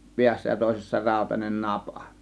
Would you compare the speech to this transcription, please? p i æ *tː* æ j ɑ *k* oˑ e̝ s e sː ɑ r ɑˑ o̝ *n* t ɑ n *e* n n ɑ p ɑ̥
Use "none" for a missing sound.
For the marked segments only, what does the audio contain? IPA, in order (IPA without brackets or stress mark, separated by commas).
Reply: sː, t, none, e